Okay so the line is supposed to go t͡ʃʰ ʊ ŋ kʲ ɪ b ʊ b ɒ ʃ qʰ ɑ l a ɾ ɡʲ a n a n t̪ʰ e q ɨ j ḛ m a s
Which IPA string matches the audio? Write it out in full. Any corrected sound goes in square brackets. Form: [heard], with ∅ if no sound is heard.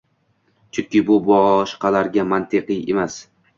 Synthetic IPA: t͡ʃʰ ʊ ŋ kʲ ɪ b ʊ b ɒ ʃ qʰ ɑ l a ɾ ɡʲ a [m] a n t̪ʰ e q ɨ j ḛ m a s